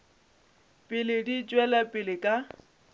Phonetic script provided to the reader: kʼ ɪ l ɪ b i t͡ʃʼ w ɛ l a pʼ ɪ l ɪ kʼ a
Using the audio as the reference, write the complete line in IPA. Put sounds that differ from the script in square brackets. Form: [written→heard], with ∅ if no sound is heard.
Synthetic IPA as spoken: [kʼ→pʼ] ɪ l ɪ [b→d] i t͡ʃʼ w ɛ l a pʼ ɪ l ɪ kʼ a